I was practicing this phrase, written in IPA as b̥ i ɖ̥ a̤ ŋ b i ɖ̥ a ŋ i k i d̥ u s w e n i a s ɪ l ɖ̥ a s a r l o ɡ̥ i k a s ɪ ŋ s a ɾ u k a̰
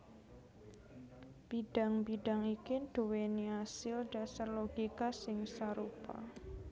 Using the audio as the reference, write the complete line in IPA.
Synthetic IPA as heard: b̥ i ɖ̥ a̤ ŋ b i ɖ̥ a ŋ i k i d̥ u w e n i a s ɪ l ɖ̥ a s a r l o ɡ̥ i k a s ɪ ŋ s a ɾ u p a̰